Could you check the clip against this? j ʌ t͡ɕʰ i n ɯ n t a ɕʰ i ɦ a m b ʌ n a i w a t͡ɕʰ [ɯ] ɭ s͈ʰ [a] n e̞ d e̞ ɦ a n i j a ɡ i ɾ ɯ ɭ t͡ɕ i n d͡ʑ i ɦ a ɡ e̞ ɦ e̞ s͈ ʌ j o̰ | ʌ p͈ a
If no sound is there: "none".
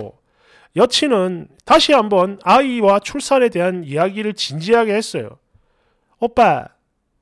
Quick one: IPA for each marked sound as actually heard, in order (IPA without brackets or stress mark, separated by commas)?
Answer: u, a